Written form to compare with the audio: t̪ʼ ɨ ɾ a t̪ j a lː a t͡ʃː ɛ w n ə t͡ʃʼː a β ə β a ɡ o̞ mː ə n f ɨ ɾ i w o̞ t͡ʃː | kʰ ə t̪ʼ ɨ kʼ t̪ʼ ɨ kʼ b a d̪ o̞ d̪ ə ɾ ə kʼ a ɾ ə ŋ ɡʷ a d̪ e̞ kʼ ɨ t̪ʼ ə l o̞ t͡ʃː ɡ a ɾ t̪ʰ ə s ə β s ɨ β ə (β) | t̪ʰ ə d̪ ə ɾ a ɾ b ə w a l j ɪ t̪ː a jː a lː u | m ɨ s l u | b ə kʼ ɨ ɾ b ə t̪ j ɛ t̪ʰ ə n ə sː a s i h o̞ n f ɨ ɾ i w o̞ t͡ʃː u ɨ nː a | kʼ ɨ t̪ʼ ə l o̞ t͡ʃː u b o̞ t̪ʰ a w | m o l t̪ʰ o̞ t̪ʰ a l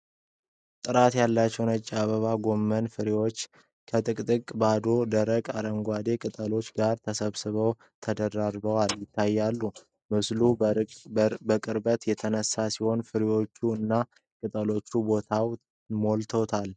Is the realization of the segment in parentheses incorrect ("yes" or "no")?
yes